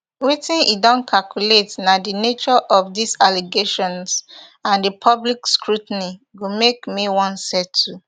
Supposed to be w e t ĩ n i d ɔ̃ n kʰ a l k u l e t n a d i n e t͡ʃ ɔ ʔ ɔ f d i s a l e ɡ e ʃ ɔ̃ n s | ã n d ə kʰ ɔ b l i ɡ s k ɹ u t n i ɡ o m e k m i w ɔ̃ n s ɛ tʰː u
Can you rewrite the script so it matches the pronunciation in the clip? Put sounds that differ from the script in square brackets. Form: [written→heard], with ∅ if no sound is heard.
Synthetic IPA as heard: w e t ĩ n i d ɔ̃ n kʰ a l k u l e t n a d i n e t͡ʃ ɔ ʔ ɔ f d i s a l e ɡ e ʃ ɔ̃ n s | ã n d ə [kʰ→pʰ] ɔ b l i [ɡ→k] s k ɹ u t n i ɡ o m e k m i w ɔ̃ n s ɛ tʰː u